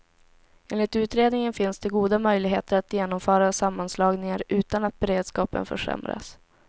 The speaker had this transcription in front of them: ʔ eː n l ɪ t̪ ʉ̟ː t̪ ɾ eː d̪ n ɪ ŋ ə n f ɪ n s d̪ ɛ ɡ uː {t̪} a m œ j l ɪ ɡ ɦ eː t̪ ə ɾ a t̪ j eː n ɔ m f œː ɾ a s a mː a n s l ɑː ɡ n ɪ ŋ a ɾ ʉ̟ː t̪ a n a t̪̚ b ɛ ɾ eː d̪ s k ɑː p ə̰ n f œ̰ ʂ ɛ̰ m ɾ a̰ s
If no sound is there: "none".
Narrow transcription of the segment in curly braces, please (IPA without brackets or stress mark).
d̪